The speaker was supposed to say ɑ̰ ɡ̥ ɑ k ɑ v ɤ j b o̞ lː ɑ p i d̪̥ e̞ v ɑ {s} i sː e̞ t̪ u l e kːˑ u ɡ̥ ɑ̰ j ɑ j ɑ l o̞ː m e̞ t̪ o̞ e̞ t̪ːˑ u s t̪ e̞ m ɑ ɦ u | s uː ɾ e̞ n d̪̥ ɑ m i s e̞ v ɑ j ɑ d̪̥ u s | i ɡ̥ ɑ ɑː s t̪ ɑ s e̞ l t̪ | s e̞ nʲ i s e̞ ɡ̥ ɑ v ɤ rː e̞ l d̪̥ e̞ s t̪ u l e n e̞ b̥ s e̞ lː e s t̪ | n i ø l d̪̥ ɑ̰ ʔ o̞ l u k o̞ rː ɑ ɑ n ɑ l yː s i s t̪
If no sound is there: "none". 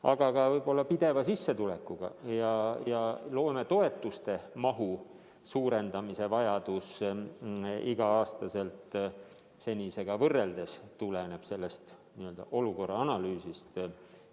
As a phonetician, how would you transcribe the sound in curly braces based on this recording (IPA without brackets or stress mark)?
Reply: s